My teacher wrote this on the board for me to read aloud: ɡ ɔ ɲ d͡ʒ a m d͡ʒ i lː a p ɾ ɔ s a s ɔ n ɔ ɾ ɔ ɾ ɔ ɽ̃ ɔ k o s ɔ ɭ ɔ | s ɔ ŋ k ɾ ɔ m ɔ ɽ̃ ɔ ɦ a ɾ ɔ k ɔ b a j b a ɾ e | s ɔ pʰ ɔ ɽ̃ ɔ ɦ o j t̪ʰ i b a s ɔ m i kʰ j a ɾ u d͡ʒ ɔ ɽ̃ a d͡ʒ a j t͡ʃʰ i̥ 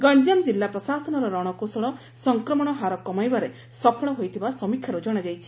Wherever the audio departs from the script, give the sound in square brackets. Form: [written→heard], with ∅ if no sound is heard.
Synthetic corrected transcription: ɡ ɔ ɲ d͡ʒ a m d͡ʒ i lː a p ɾ ɔ s a s ɔ n ɔ ɾ ɔ ɾ ɔ ɽ̃ ɔ k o s ɔ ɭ ɔ | s ɔ ŋ k ɾ ɔ m ɔ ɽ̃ ɔ ɦ a ɾ ɔ k ɔ [b→m] a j b a ɾ e | s ɔ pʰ ɔ ɽ̃ ɔ ɦ o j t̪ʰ i b a s ɔ m i kʰ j a ɾ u d͡ʒ ɔ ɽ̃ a d͡ʒ a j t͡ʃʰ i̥